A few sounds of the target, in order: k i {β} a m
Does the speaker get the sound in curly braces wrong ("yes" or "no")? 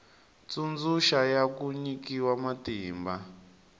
yes